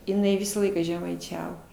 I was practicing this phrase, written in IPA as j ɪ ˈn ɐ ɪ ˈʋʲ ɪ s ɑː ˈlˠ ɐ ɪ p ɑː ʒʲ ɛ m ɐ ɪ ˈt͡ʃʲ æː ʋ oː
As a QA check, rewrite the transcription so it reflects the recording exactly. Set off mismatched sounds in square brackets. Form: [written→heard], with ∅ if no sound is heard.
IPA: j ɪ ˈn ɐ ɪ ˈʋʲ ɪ s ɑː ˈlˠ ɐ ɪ [p→k] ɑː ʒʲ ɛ m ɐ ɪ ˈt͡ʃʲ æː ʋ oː